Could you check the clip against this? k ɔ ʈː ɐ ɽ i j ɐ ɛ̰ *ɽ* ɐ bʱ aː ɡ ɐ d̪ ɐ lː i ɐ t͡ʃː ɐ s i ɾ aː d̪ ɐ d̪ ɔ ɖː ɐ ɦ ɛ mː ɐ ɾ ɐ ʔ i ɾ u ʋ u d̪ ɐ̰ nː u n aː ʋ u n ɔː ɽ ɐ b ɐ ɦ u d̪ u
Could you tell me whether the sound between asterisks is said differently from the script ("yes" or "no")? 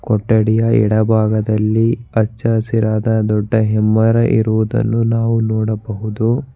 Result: no